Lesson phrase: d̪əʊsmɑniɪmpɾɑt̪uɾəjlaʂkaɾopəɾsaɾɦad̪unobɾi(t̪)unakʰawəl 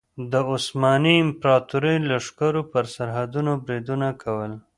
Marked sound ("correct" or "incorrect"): incorrect